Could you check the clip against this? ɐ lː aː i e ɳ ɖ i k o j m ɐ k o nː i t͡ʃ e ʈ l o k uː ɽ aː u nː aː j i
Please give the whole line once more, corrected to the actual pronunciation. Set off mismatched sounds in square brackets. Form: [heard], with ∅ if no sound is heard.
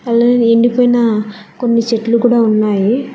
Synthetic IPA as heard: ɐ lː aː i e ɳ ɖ i [p] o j [n] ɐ k o nː i t͡ʃ e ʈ l [u] k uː ɽ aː u nː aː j i